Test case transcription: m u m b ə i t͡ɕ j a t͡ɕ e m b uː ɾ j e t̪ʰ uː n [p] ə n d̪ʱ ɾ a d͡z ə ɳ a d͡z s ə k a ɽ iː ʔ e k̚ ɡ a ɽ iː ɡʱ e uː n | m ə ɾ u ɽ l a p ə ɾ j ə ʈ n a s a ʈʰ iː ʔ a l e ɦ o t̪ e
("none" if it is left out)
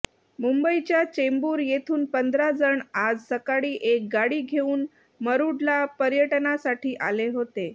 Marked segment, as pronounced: p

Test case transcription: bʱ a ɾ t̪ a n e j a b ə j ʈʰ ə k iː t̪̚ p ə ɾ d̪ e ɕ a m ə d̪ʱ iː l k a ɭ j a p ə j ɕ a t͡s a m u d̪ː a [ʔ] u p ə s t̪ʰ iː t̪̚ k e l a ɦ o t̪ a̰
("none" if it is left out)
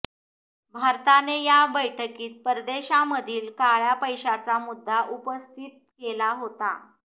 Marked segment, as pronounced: ʔ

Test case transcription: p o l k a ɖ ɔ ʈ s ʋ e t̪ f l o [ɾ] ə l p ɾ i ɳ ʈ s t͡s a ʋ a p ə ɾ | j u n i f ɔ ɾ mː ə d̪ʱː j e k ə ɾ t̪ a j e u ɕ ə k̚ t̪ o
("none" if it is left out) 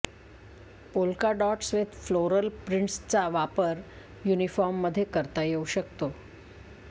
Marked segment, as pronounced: ɾ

